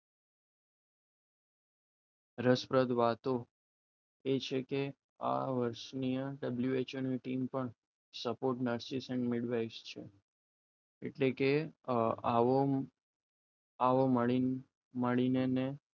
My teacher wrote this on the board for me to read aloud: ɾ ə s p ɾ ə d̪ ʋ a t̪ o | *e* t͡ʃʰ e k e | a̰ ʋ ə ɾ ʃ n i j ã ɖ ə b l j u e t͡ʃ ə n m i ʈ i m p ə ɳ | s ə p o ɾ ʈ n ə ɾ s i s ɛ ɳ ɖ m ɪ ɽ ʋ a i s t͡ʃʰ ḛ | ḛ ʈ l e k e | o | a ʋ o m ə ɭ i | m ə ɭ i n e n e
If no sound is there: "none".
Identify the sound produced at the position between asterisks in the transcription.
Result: e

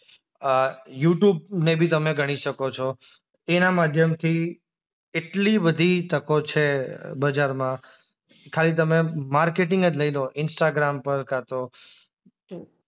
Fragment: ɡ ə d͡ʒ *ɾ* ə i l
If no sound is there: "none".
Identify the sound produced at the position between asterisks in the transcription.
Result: l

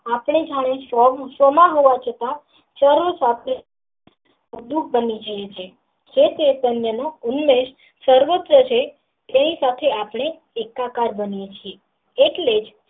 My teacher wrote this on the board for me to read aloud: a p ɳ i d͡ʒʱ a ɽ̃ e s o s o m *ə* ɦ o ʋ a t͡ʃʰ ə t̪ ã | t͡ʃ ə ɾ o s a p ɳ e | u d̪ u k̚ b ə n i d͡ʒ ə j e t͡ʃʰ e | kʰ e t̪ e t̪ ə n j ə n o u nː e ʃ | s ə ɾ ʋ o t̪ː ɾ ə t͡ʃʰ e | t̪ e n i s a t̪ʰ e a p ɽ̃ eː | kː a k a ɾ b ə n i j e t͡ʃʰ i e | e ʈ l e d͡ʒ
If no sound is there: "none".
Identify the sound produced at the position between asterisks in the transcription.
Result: a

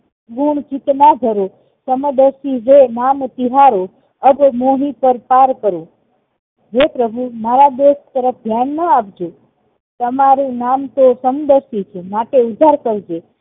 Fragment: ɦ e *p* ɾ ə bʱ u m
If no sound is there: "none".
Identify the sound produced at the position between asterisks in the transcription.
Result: p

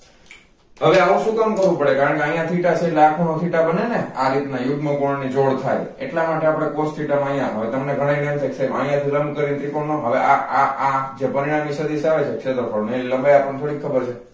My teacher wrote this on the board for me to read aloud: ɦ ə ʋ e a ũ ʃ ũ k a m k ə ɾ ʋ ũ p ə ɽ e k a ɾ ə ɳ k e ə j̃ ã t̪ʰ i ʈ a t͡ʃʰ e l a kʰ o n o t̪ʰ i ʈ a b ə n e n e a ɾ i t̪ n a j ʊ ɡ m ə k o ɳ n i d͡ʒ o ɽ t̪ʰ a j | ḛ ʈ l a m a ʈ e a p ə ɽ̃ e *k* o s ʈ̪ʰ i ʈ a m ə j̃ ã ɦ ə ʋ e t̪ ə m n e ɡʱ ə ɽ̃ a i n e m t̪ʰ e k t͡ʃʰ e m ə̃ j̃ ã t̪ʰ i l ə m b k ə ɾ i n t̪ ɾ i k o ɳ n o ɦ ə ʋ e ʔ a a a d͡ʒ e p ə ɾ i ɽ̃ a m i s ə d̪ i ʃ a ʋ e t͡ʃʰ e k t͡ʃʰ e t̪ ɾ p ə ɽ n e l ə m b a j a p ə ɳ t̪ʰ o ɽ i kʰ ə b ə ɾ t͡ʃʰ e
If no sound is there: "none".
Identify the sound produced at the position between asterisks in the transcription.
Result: k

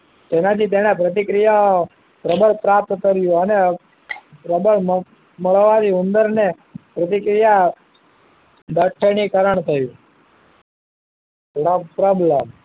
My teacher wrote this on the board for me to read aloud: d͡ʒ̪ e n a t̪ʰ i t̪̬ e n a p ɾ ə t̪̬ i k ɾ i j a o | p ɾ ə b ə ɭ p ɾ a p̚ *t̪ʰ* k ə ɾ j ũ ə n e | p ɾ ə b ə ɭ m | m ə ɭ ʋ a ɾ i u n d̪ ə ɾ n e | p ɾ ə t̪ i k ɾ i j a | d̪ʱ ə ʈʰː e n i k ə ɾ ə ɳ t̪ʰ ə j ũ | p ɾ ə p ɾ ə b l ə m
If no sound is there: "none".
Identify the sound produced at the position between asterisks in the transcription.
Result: t̪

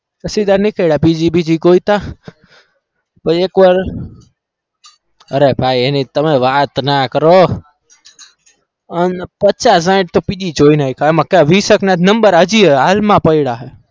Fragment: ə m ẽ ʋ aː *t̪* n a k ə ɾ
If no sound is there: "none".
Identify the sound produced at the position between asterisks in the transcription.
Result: t̪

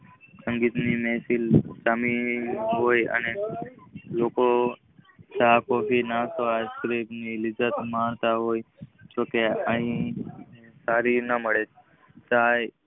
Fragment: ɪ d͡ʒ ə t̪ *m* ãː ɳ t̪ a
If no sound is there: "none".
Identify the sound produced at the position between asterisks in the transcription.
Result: m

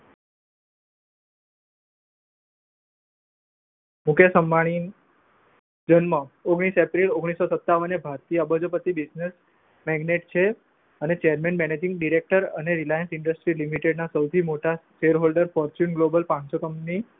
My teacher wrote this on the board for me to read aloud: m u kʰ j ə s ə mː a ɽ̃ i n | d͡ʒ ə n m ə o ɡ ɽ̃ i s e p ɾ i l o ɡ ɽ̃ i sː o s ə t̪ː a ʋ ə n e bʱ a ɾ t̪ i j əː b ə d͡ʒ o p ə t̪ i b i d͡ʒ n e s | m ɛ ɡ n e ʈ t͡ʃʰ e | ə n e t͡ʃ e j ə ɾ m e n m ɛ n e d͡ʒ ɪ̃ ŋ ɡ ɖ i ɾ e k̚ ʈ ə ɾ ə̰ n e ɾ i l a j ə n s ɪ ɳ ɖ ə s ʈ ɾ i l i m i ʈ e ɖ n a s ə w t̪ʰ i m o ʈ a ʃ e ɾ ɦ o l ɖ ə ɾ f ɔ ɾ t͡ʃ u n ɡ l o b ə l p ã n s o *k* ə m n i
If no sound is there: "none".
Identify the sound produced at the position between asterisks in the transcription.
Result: k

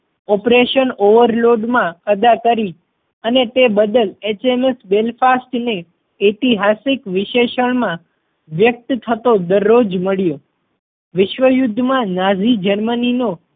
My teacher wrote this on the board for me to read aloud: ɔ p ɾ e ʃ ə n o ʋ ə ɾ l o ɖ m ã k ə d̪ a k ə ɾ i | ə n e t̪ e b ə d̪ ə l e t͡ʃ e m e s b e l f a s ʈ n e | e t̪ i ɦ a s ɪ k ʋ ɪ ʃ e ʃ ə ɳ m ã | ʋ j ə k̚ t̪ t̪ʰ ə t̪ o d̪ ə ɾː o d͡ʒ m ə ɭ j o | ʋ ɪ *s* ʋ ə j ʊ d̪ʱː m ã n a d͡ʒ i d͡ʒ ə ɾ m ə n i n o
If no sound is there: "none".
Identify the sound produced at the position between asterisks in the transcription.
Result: ʃ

